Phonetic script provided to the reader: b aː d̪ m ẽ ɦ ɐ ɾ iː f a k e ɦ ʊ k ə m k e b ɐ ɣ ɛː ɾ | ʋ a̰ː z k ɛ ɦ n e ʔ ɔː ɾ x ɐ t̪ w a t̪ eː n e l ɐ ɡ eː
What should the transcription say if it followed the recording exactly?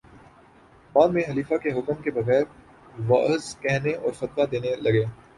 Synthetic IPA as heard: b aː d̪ m ẽ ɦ ɐ l iː f a k e ɦ ʊ k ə m k e b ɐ ɣ ɛː ɾ | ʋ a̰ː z k ɛ ɦ n e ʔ ɔː ɾ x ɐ t̪ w a d̪ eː n e l ɐ ɡ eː